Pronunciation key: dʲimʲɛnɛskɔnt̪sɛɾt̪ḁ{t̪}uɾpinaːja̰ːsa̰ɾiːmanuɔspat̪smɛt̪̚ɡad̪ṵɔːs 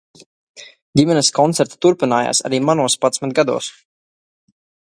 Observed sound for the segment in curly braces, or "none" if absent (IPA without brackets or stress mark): t̪